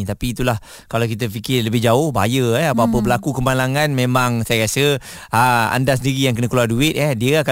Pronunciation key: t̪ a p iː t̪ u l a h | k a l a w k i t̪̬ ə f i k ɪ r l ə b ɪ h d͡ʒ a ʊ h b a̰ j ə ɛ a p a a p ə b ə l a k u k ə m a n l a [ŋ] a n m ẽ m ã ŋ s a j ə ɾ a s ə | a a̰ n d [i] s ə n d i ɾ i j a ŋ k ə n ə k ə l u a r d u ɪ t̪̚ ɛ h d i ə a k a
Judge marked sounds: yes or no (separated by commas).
yes, no